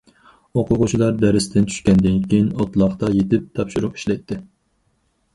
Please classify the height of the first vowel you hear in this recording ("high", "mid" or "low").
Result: mid